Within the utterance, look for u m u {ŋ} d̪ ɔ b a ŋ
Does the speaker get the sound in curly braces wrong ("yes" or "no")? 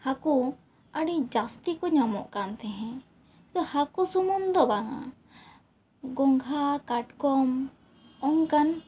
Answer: yes